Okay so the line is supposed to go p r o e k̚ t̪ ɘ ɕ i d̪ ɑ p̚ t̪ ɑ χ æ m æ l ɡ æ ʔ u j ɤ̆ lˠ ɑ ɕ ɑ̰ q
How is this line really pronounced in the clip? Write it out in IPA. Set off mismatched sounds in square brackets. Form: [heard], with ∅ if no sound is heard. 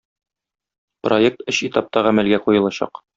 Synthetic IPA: p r o e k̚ t̪ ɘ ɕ i [t̪] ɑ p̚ t̪ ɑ [ʁ] æ m æ l ɡ æ [q] u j ɤ̆ lˠ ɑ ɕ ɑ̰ q